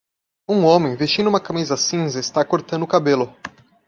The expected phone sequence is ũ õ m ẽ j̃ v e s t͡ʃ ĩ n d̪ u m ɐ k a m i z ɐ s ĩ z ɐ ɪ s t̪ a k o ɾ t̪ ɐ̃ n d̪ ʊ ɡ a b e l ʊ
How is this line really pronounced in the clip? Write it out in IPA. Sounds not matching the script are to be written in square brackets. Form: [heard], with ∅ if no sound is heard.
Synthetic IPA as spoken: ũ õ m ẽ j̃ v e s t͡ʃ ĩ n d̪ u m ɐ k a m i z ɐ s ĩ z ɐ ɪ s t̪ a k o ɾ t̪ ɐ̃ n d̪ ʊ [k] a b e l ʊ